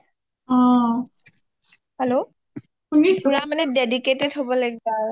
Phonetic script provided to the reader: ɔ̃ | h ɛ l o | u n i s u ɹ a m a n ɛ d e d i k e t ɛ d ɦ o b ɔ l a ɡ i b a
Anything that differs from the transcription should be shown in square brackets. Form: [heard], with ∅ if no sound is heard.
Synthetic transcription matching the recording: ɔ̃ | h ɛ l o | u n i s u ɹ a m a n ɛ d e d i k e t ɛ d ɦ o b ɔ l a ɡ i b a